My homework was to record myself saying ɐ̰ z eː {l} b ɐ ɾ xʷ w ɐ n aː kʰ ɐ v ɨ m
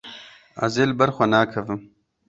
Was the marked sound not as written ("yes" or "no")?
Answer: no